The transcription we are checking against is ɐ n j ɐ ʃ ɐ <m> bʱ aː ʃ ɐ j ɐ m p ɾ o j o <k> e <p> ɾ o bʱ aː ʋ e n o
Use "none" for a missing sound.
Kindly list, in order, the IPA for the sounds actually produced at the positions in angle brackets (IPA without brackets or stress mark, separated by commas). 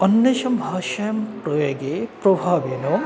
m, ɡ, p